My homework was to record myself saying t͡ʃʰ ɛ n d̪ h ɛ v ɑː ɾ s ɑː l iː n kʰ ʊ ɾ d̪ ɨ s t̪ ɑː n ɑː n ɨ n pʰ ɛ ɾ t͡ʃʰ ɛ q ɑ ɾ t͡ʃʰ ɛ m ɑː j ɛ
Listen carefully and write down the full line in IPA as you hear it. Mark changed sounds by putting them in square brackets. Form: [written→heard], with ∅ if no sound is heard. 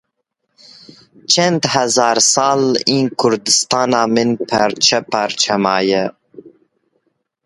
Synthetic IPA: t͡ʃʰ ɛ n d̪ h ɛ [v→z] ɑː ɾ s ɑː l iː n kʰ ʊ ɾ d̪ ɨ s t̪ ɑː n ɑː [n→m] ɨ n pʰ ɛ ɾ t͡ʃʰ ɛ [q→p] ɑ ɾ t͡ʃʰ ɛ m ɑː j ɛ